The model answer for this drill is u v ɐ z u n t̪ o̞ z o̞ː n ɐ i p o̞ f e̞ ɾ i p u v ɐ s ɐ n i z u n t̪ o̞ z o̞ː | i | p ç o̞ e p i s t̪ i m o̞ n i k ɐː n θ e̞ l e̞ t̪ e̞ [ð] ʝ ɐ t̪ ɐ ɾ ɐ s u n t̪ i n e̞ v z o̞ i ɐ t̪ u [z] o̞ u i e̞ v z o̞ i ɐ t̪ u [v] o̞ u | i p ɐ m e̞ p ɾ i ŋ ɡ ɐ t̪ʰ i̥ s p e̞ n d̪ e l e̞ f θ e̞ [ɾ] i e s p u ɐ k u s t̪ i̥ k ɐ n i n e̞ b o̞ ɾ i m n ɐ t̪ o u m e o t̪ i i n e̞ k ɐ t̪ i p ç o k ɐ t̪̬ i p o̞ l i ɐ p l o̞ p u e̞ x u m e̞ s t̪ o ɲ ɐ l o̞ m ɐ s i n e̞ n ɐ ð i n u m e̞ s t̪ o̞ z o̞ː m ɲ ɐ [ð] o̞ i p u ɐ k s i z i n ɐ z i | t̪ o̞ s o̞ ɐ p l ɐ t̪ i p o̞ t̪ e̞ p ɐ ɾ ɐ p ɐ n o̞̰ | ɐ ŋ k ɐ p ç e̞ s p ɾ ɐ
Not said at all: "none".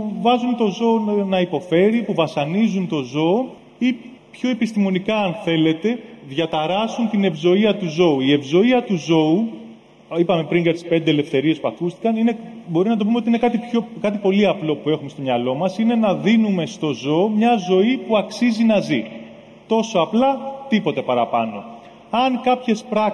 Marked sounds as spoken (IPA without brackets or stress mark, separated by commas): ð, z, z, ɾ, z